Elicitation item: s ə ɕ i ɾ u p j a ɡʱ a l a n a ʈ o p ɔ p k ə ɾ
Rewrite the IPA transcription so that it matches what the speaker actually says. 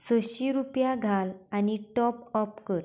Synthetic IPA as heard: s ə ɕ i ɾ u p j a ɡʱ a l a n i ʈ ɔ p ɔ p k ə ɾ